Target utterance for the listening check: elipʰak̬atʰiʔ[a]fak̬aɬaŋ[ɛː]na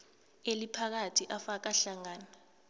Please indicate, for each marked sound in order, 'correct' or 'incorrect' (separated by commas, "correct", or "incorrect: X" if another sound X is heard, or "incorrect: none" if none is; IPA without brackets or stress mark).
correct, incorrect: aː